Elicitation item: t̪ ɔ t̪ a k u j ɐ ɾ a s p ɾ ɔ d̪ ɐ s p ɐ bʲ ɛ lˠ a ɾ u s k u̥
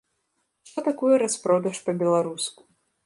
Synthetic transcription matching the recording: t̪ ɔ t̪ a k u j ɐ ɾ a s p ɾ ɔ d̪ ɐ ʂ p ɐ bʲ ɛ lˠ a ɾ u s k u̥